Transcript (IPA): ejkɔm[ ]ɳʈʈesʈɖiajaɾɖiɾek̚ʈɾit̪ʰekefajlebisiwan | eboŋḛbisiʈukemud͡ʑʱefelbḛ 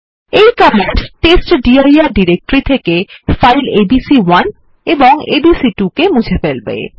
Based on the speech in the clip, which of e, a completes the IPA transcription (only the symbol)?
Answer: e